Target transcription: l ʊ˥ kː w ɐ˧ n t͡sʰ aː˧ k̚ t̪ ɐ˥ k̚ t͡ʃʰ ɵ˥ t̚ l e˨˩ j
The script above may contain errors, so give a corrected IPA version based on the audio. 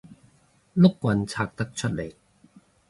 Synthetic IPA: l ʊ˥ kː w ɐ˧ n t͡sʰ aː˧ k̚ t̪ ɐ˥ k̚ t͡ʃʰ ɵ˥ t̚ l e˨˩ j